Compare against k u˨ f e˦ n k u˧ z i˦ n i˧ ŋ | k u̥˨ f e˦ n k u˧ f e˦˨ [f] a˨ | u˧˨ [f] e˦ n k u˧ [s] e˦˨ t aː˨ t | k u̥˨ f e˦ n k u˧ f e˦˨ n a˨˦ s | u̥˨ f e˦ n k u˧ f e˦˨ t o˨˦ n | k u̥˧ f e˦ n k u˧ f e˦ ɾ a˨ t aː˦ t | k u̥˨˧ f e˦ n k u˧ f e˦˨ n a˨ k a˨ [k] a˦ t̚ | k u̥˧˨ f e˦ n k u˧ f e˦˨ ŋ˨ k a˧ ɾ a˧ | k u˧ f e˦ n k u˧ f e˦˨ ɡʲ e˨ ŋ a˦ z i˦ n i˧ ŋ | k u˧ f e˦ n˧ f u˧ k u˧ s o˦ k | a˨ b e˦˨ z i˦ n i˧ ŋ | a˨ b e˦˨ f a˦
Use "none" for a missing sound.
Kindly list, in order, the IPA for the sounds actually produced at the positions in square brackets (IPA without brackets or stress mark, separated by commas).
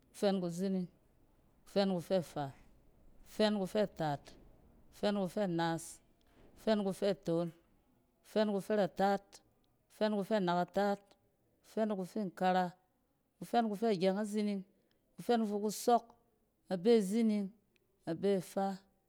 f, f, f, t